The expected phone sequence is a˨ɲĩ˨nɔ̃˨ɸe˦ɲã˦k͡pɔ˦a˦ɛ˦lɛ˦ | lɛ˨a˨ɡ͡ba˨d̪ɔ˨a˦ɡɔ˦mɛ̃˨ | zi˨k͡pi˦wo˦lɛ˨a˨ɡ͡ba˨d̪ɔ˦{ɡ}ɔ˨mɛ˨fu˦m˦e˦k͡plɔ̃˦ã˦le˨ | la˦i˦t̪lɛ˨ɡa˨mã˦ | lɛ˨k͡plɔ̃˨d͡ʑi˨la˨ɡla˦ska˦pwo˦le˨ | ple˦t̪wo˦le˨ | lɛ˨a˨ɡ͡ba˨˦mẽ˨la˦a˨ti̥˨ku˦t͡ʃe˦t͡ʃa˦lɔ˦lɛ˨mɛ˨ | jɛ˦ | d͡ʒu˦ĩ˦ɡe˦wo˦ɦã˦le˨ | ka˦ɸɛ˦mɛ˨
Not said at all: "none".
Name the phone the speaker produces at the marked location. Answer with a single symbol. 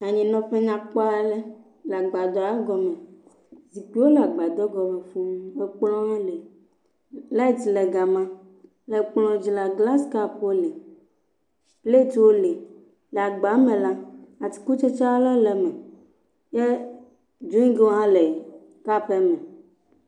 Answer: ɡ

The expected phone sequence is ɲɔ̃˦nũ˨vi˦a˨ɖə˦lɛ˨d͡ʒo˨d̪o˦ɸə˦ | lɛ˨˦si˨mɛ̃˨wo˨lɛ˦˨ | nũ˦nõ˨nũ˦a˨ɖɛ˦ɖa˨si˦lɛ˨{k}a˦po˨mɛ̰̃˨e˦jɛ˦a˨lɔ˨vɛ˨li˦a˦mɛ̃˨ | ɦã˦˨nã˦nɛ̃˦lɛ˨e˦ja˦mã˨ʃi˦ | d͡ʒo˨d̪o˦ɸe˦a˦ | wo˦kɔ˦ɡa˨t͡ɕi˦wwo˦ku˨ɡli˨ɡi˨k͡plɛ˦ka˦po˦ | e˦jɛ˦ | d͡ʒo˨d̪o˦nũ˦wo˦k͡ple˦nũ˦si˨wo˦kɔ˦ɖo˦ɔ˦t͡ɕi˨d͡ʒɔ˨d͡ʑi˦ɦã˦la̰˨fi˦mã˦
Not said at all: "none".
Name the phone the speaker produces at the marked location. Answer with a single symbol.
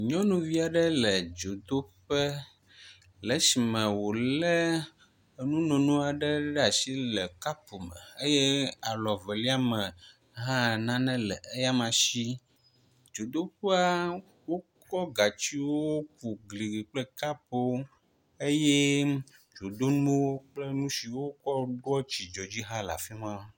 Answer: k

